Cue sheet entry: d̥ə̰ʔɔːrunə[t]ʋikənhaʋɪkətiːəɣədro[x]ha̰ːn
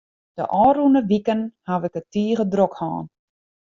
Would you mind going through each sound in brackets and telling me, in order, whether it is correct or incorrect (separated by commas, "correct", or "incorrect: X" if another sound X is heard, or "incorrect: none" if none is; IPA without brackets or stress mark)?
incorrect: none, incorrect: k